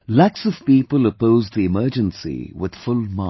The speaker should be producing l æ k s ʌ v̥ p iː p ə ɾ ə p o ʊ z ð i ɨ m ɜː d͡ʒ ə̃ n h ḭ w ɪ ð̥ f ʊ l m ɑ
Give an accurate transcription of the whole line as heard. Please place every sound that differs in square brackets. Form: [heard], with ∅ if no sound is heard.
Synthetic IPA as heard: l æ k s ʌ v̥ p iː p ə [l] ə p o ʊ z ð i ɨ m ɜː d͡ʒ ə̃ n [s] ḭ w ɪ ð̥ f ʊ l m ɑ